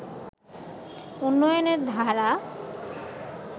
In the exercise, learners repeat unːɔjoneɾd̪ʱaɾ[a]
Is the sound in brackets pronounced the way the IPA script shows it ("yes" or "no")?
yes